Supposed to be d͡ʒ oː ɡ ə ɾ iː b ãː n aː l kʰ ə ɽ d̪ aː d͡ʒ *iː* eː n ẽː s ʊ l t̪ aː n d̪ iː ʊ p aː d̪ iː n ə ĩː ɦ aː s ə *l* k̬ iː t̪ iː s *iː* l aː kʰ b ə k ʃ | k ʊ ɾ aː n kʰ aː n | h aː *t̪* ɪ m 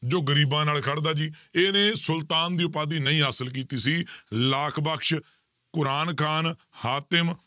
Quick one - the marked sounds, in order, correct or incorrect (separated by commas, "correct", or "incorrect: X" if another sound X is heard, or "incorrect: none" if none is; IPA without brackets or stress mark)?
correct, correct, correct, correct